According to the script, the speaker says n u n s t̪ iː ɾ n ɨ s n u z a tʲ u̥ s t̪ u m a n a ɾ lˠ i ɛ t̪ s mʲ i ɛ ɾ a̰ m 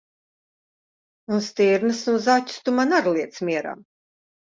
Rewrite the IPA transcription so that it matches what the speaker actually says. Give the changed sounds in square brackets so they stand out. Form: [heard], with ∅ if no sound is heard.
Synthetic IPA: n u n s t̪ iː ɾ n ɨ s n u z a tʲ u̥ s t̪ u m a n a ɾ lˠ i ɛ t̪ s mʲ i ɛ ɾ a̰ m